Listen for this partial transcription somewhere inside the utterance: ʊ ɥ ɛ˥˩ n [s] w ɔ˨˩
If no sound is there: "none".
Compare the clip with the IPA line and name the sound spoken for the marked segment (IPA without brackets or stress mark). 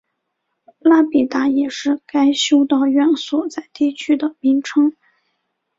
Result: s